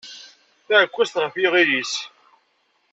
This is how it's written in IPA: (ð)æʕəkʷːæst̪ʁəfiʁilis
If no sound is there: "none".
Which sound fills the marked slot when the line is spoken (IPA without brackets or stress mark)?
θ